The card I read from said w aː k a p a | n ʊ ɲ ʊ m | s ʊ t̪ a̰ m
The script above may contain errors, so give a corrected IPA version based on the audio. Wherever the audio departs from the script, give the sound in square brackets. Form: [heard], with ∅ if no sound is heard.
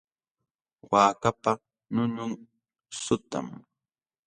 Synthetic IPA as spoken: w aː k a p a | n ʊ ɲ ʊ [ŋ] | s ʊ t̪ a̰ m

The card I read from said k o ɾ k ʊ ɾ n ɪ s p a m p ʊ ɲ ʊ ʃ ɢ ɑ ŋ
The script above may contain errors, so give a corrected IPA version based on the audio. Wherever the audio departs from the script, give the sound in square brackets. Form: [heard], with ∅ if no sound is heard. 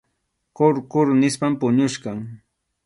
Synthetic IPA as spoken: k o ɾ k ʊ ɾ n ɪ s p a m p ʊ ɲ ʊ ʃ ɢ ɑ ŋ

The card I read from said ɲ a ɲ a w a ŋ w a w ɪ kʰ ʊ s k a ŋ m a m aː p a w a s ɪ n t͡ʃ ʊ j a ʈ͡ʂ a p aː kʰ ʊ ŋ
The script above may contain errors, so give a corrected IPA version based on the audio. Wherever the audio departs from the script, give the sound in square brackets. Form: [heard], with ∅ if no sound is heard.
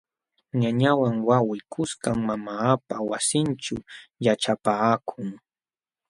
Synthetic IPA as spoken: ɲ a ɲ a w a ŋ w a w ɪ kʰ ʊ s k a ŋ m a m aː p a w a s ɪ n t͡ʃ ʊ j a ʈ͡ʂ a p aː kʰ ʊ ŋ

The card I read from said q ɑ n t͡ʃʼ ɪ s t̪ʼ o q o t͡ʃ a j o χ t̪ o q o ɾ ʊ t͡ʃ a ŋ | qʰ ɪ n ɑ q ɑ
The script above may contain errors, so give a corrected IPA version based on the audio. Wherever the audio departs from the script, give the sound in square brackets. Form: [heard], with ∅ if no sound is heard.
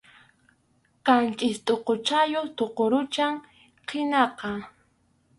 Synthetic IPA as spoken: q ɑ n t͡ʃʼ ɪ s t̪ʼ o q o t͡ʃ a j o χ t̪ o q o ɾ ʊ t͡ʃ a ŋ | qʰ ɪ n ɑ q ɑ

